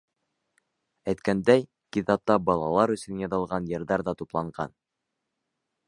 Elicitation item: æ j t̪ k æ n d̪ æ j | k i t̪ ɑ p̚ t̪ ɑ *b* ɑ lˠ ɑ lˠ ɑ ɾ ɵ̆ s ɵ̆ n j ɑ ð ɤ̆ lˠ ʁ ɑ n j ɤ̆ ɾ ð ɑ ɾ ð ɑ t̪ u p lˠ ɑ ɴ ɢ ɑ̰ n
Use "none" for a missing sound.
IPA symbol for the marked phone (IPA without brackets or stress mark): b